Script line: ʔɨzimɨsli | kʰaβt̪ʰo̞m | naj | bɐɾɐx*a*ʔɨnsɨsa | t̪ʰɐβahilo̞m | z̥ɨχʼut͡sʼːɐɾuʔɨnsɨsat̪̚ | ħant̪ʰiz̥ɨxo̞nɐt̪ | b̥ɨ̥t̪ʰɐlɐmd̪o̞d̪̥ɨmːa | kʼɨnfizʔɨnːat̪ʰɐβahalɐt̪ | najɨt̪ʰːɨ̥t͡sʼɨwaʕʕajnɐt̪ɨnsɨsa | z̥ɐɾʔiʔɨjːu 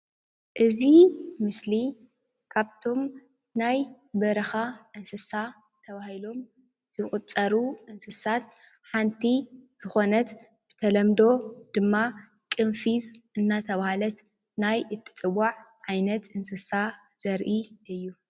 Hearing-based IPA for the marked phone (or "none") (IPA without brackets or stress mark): a